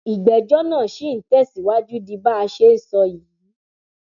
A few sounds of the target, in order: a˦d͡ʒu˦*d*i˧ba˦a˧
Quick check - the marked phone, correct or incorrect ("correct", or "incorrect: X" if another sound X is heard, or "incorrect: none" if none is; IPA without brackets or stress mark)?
correct